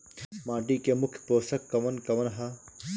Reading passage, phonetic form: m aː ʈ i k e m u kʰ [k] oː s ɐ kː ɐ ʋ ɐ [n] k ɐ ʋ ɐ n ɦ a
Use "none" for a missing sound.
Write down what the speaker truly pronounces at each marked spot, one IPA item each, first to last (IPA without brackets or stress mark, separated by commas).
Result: p, n